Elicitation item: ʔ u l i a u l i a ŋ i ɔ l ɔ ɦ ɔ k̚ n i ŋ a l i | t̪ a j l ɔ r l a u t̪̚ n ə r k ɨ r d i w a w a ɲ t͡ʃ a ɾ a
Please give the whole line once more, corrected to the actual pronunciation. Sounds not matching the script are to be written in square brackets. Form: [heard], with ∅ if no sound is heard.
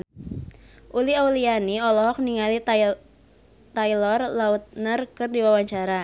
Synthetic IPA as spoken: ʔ u l i a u l i a [n] i ɔ l ɔ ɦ ɔ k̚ n i ŋ a l i | t̪ a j l ɔ r l a u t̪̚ n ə r k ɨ r d i w a w a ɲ t͡ʃ a ɾ a